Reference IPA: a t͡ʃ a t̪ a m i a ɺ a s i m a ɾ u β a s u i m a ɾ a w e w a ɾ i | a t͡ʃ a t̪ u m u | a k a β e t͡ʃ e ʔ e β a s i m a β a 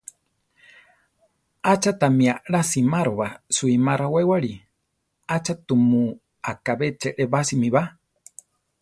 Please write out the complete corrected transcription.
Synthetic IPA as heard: a t͡ʃ a t̪ a m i a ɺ a s i m a ɾ o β a s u i m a ɾ a w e w a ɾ i | a t͡ʃ a t̪ u m u | a k a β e t͡ʃ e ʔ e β a s i m i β a